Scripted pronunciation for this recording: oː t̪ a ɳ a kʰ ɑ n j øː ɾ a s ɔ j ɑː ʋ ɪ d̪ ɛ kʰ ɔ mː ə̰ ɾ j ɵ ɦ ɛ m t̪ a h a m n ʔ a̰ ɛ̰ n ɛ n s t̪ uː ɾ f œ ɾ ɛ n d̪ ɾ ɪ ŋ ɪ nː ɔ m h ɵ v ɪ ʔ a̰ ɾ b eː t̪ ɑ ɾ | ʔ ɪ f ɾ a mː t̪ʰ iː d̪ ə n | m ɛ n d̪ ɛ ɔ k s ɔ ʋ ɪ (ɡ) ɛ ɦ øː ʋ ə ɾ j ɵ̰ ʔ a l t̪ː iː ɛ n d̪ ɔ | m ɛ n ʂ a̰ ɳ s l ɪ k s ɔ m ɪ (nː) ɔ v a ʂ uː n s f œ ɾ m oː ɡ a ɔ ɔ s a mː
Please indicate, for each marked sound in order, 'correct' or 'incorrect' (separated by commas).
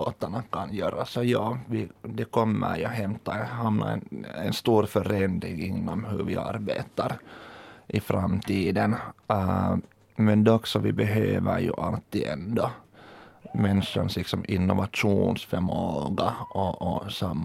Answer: incorrect, correct